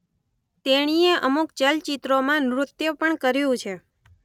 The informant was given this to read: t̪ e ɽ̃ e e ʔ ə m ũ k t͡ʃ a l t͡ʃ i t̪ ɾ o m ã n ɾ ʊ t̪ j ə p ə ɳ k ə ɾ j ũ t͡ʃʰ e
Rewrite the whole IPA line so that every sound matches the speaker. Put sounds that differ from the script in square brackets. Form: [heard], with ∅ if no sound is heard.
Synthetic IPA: t̪ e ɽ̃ [i] e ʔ ə m [u] k t͡ʃ [ə] l t͡ʃ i t̪ ɾ o m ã n ɾ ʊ t̪ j ə p ə ɳ k ə ɾ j ũ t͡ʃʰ e